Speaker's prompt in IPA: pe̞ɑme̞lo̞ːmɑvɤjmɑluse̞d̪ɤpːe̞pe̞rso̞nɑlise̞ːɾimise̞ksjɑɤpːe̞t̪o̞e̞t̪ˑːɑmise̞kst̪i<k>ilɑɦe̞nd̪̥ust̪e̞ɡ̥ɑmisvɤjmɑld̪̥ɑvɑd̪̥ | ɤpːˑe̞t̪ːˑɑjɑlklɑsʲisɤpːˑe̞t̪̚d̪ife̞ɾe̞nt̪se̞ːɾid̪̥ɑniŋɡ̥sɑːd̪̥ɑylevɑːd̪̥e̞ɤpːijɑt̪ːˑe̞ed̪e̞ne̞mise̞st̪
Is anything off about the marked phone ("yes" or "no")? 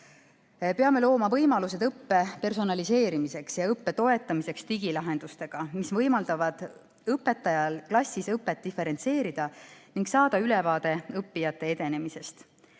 yes